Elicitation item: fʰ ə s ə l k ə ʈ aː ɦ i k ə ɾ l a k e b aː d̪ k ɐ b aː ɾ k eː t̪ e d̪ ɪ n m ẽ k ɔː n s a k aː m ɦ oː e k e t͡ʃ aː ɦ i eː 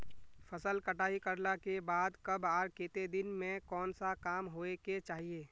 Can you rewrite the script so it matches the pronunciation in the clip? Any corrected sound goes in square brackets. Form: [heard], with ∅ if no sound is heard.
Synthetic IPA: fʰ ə s ə l k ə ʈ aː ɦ i k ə ɾ l a k e b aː d̪ k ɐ b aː ɾ k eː t̪ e d̪ ɪ n m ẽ k ɔː n s a k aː m ɦ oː e k e t͡ʃ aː ɦ i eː